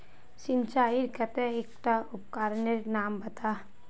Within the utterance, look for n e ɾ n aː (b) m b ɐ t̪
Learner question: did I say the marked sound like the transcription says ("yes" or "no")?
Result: no